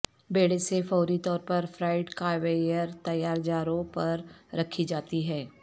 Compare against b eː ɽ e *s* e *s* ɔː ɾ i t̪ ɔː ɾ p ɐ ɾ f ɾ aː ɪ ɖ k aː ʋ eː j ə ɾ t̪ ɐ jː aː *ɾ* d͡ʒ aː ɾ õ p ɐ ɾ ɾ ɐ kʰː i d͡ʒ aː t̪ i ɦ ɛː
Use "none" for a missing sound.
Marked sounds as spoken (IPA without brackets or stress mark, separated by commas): s, f, ɾ